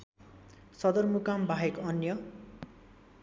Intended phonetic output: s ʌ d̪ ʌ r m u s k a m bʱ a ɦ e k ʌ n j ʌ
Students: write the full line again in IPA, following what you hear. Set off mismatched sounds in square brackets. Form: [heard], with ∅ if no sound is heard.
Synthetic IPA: s ʌ d̪ ʌ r m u [∅] k a m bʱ a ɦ e k ʌ n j ʌ

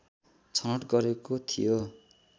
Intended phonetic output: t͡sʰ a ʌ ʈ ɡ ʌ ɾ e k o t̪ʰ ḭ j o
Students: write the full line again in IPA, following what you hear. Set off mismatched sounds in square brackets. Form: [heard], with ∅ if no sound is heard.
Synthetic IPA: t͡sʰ [ʌ] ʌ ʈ ɡ ʌ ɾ e k o t̪ʰ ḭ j o

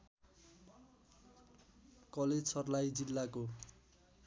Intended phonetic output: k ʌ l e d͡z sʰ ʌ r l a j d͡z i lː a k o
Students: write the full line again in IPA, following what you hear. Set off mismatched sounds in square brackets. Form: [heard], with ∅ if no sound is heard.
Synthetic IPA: k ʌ l e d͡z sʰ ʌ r l a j d͡z i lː a k o

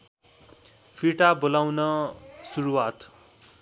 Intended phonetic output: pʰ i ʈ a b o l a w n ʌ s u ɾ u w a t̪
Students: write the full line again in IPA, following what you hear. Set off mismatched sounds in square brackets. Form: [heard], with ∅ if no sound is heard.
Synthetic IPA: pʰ i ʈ a b o l a w n ʌ s u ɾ u w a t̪

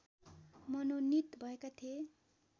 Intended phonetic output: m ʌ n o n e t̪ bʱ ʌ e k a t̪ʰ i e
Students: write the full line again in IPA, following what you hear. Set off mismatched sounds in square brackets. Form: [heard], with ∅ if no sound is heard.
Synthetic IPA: m ʌ n o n [i] t̪ bʱ ʌ e k a t̪ʰ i e

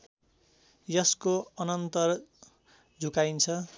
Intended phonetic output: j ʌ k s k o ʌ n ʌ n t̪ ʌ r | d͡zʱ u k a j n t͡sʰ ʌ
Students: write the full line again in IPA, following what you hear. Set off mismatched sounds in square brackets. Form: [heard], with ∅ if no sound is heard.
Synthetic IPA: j ʌ [∅] s k o ʌ n ʌ n t̪ ʌ r | d͡zʱ u k a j n t͡sʰ ʌ

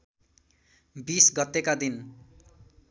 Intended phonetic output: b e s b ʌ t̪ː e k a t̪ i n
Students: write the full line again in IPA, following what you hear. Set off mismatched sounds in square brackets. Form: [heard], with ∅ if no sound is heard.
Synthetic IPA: b [i] s [ɡ] ʌ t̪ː e k a [d̪] i n

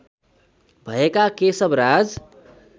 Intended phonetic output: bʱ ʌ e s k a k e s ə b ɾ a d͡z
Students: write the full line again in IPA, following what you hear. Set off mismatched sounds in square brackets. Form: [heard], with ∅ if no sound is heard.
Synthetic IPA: bʱ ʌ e [∅] k a k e s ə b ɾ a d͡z

